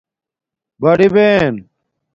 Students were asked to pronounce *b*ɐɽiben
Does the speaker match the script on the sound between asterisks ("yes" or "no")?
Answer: yes